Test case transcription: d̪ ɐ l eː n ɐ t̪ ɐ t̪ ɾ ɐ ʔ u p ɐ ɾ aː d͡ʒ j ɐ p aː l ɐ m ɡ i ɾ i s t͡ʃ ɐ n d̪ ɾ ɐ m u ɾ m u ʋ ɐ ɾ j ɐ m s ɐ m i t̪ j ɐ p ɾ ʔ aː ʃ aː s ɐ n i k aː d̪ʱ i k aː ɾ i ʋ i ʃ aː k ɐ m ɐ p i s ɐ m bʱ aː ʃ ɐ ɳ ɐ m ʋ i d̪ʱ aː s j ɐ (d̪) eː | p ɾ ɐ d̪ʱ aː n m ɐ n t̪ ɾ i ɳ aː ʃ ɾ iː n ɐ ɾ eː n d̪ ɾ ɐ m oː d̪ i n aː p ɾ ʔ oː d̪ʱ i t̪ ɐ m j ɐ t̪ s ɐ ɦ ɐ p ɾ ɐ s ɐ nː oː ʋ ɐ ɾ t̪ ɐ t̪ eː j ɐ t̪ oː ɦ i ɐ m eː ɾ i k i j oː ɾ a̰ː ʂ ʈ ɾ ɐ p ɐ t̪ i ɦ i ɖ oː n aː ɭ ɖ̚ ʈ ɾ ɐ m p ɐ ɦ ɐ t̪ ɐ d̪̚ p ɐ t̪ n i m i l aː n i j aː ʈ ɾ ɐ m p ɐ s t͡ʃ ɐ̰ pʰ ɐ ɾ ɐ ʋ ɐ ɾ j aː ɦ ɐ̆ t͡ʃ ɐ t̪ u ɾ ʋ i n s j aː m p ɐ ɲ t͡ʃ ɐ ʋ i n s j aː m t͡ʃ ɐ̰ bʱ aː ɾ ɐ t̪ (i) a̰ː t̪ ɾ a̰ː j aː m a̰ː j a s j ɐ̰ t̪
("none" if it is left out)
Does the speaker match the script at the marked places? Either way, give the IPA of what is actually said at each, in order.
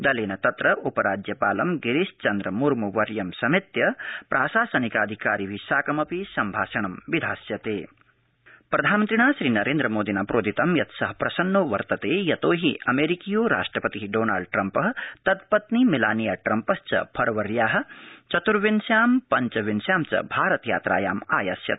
t̪, j

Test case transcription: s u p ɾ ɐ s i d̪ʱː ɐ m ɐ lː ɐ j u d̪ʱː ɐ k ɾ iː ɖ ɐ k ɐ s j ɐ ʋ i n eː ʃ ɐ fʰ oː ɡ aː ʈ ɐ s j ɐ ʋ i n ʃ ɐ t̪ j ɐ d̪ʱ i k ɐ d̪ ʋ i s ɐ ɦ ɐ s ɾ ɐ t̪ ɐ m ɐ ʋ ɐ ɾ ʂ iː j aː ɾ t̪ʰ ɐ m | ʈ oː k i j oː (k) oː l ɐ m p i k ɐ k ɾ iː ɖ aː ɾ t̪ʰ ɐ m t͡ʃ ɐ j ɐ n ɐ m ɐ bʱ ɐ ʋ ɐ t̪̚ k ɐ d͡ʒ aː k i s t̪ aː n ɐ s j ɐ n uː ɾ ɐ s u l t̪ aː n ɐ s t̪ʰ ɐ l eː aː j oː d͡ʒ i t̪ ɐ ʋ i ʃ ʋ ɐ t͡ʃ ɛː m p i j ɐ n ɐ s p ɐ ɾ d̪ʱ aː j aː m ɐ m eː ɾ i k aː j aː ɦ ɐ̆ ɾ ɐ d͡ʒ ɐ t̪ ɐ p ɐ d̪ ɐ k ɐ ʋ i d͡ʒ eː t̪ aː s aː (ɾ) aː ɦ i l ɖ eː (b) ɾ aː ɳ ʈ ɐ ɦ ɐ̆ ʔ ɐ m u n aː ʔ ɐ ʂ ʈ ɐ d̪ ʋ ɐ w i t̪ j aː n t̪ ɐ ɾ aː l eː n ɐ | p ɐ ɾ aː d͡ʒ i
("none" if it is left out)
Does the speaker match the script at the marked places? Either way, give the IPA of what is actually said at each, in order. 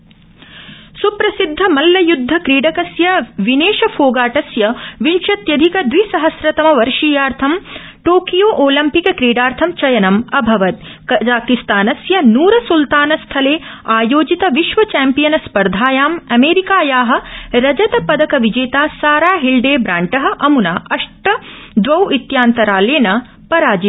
ʔ, ɾ, b

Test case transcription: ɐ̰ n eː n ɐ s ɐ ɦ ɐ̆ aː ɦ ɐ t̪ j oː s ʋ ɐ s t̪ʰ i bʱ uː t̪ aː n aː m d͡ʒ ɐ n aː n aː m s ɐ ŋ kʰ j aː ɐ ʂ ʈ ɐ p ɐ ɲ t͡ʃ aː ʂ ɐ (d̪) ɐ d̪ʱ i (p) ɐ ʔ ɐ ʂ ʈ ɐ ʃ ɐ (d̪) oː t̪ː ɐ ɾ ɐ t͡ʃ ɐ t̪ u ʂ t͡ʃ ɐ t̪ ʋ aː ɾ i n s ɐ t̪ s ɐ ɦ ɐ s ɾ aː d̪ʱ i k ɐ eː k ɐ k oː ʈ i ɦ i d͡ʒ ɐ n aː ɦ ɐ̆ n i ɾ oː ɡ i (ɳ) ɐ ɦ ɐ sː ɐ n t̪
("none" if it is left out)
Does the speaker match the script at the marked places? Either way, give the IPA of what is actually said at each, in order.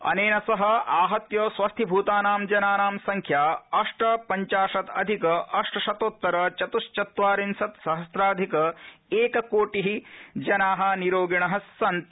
t̪, k, t̪, ɳ

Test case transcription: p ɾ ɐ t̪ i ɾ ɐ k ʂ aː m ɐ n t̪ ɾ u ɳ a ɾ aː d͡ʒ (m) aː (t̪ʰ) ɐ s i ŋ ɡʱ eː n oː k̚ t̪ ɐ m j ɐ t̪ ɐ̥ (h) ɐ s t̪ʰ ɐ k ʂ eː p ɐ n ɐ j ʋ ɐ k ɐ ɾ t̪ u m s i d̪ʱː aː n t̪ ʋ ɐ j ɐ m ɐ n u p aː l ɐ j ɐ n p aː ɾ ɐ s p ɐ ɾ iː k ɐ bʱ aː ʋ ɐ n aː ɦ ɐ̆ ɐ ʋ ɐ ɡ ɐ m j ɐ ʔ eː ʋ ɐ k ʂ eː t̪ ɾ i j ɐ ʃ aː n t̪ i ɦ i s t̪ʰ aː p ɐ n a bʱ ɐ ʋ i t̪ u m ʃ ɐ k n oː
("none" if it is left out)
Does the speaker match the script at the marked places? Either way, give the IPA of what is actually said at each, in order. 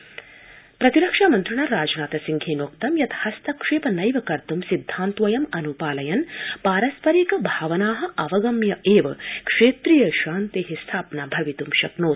n, t̪, h

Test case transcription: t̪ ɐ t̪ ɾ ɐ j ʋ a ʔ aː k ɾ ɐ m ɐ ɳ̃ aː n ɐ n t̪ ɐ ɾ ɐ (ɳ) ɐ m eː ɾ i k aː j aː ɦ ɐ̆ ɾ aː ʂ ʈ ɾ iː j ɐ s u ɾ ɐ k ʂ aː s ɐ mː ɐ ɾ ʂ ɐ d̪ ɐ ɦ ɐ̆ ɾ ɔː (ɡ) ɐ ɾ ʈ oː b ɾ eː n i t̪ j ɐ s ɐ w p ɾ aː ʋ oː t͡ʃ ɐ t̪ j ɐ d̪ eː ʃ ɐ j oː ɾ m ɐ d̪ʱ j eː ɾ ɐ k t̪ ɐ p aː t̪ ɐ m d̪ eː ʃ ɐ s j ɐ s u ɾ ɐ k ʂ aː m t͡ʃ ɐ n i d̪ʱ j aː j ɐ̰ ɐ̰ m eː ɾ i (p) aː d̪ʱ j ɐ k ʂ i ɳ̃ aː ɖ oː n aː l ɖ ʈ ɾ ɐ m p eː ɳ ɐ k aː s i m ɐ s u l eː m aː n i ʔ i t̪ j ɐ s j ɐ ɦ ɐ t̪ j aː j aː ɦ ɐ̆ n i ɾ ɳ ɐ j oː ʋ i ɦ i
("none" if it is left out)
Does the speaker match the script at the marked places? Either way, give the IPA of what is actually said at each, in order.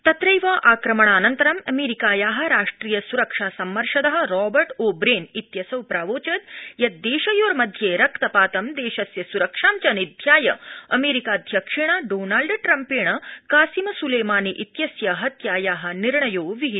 m, b, k

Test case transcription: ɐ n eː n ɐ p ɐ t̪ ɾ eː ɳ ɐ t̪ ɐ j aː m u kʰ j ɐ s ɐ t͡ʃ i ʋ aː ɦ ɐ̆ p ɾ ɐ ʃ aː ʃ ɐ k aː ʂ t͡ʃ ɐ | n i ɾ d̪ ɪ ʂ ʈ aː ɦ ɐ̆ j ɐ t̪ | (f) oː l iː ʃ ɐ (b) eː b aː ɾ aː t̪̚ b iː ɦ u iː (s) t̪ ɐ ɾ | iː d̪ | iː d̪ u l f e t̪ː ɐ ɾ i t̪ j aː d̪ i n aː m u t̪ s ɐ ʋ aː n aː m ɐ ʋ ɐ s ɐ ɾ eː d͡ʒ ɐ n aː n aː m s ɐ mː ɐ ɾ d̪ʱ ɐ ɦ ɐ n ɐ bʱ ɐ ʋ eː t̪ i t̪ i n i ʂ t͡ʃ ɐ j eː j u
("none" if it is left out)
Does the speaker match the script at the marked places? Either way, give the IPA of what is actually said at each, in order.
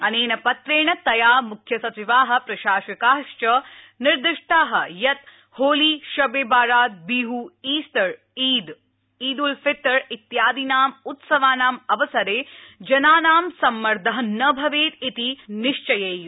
h, b, s

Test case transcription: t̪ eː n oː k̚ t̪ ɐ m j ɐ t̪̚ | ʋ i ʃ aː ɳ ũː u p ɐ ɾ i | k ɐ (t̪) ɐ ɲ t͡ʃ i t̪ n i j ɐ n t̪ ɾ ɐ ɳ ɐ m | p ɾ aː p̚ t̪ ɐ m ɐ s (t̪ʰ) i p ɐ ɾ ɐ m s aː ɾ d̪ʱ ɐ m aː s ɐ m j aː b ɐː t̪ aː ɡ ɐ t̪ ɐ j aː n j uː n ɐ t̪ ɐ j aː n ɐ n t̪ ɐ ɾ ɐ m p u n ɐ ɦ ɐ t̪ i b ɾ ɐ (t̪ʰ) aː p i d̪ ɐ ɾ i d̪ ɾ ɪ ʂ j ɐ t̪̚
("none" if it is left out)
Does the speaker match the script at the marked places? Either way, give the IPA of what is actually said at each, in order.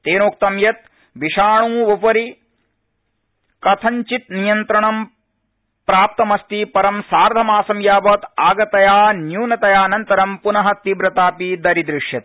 t̪ʰ, t̪, t̪

